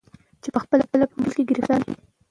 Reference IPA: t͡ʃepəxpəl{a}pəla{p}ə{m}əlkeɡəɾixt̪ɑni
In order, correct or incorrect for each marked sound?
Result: correct, correct, correct

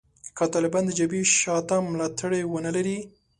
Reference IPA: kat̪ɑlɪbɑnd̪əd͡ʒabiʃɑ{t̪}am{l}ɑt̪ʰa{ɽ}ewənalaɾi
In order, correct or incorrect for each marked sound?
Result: correct, correct, correct

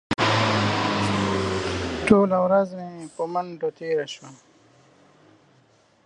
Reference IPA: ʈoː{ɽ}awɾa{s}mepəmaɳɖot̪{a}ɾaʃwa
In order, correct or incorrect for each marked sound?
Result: incorrect: l, incorrect: z, incorrect: e

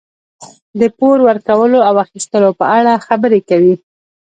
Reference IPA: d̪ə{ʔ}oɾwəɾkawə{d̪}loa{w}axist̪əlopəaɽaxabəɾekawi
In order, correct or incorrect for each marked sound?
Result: incorrect: p, incorrect: none, correct

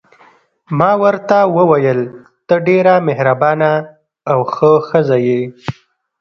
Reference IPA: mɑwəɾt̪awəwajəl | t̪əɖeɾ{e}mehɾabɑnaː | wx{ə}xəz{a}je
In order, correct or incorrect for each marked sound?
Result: incorrect: a, correct, correct

